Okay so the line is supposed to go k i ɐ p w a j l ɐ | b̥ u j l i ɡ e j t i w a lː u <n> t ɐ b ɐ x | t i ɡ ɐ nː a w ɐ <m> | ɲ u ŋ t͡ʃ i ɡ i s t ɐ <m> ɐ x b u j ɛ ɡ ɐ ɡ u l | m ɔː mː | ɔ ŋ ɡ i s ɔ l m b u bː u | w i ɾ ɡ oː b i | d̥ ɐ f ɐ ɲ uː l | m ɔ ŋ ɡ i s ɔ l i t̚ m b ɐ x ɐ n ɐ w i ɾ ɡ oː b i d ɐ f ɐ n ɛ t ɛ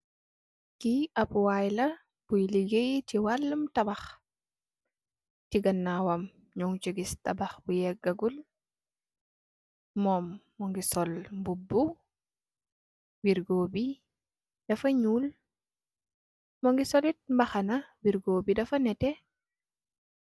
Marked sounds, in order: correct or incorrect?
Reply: incorrect, correct, incorrect

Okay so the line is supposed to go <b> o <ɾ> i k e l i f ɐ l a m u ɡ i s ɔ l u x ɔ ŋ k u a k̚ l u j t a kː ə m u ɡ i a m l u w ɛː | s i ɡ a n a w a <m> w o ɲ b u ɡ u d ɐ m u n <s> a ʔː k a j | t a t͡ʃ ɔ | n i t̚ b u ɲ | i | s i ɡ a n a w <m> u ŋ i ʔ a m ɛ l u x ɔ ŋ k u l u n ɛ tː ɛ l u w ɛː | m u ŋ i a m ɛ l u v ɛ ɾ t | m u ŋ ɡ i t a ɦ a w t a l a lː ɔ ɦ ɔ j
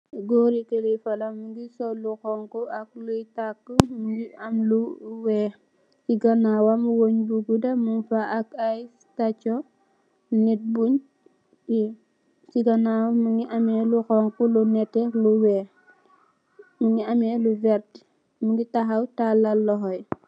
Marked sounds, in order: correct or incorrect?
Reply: incorrect, correct, correct, incorrect, correct

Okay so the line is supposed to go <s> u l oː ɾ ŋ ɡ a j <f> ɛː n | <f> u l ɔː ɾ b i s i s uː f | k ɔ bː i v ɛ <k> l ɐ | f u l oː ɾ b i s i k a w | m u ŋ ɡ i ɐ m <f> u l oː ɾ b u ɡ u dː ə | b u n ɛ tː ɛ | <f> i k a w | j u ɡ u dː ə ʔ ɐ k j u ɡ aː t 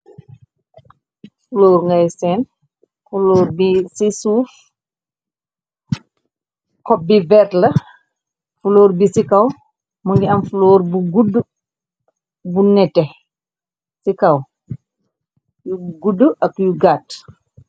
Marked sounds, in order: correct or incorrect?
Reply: incorrect, incorrect, correct, incorrect, correct, incorrect

